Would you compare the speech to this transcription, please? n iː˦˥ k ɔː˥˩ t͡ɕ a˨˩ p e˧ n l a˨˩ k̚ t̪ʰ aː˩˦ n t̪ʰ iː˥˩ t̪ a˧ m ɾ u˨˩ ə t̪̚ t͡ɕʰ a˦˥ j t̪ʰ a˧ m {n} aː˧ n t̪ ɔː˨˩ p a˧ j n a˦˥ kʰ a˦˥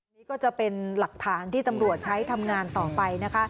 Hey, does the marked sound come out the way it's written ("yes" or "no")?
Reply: no